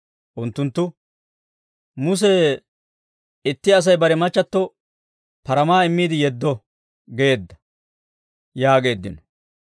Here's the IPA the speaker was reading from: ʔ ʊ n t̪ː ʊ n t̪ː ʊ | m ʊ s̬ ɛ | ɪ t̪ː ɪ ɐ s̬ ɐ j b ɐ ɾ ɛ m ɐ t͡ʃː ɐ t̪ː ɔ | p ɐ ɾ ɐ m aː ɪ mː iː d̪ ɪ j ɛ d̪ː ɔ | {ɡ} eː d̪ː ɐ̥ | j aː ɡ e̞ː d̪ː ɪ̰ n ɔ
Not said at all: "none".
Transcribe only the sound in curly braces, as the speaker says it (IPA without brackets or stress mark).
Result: ɡ